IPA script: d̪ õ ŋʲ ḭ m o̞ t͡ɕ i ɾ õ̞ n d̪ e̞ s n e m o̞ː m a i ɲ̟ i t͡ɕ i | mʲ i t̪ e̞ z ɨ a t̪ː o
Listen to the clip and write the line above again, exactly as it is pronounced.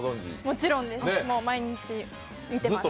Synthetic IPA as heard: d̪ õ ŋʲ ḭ m o̞ t͡ɕ i ɾ õ̞ n d̪ e̞ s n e m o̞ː m a i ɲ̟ i t͡ɕ i | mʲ i t̪ e̞ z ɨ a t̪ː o